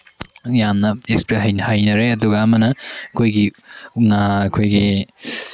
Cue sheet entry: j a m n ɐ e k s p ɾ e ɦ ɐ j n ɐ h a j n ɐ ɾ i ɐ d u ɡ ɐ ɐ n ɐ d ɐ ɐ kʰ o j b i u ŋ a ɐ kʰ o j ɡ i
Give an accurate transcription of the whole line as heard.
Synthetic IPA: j a m n ɐ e k s p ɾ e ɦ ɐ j n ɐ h a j n ɐ ɾ e ɐ d u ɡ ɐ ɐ m ɐ n ɐ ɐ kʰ o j ɡ i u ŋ a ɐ kʰ o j ɡ i